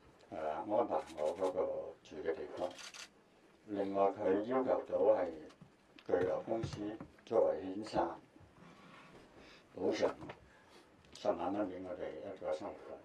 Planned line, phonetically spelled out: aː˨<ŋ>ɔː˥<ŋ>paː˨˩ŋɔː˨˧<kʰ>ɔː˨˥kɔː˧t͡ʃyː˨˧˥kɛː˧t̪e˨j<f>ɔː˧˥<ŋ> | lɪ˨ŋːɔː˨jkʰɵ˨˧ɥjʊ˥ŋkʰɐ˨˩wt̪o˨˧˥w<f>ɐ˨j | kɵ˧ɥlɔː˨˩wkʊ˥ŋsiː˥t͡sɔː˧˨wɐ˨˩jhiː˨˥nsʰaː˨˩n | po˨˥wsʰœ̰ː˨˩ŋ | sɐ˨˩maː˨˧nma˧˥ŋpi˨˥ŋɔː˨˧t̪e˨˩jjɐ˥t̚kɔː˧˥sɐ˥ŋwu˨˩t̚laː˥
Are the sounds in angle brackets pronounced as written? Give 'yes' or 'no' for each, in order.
yes, no, no, yes, yes, no

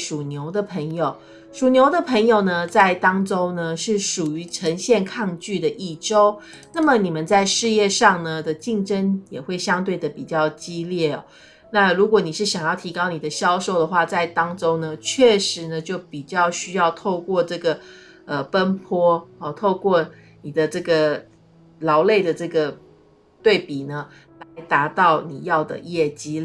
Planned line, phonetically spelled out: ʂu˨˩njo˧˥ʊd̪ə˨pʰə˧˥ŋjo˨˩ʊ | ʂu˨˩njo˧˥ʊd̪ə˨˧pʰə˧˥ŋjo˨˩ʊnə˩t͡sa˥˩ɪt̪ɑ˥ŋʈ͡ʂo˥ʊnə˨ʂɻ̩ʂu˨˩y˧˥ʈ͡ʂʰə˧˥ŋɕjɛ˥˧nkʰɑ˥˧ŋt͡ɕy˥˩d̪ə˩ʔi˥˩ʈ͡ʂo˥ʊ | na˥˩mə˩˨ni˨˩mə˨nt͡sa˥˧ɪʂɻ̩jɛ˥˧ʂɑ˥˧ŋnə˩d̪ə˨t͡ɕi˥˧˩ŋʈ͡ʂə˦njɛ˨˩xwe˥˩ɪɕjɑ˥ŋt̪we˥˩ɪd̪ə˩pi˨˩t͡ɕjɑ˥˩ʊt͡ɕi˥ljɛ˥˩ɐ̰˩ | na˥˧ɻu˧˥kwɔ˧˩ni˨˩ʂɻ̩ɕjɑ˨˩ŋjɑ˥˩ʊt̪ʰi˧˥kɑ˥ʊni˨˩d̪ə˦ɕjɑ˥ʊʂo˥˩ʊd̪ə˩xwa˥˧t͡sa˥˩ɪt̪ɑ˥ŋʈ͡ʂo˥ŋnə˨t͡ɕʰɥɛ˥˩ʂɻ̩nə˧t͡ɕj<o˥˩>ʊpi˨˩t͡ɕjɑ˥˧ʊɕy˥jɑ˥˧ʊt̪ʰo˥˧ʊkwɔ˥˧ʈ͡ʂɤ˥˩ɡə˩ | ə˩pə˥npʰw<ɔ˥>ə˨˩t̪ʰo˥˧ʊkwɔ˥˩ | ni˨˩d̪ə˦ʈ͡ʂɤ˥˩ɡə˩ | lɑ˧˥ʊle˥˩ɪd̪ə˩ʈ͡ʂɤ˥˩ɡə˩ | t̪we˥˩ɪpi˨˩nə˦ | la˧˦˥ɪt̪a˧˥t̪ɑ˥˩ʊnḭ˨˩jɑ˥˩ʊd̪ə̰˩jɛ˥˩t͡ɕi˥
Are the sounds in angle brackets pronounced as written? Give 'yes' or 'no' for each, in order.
yes, yes

